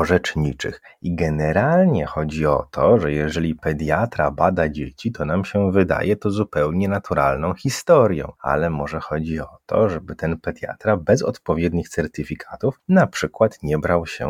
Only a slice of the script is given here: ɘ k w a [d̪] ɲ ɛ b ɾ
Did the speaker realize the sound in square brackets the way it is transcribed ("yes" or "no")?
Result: no